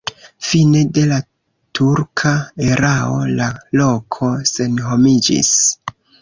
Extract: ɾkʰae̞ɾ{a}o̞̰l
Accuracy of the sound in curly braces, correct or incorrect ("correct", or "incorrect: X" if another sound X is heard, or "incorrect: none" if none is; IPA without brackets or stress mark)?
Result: correct